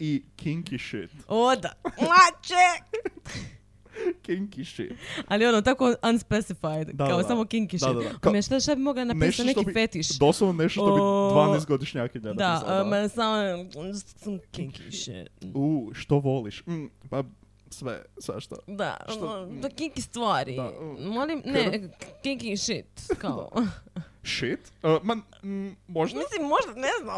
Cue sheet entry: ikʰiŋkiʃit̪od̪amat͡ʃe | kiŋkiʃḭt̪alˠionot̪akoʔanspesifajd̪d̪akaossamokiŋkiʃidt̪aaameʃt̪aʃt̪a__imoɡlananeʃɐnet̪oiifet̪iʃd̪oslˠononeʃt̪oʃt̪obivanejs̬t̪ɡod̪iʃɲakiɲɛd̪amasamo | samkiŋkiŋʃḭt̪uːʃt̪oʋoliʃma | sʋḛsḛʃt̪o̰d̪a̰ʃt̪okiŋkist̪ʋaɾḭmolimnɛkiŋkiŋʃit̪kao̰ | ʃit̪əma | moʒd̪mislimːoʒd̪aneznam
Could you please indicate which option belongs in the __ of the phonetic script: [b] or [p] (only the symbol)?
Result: b